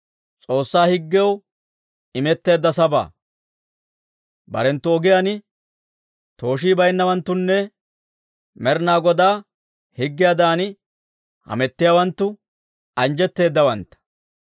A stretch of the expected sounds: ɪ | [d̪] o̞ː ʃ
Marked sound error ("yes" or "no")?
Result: yes